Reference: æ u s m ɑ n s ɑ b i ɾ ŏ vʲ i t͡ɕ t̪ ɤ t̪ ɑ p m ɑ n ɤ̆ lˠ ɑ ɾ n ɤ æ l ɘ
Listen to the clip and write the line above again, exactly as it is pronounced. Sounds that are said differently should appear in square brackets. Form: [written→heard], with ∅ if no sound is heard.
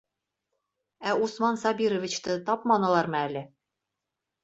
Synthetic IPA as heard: æ u s m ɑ n s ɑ b i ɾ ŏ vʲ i t͡ɕ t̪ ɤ t̪ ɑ p m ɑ n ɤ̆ lˠ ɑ ɾ [n→m] ɤ æ l ɘ